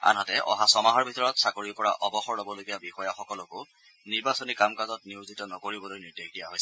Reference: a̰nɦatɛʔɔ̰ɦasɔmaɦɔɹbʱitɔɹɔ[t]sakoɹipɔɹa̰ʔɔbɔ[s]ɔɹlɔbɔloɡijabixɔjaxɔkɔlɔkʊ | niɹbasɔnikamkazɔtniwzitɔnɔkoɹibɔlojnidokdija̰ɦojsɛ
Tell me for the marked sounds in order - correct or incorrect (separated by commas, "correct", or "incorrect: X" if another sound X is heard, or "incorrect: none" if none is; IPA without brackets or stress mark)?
correct, incorrect: x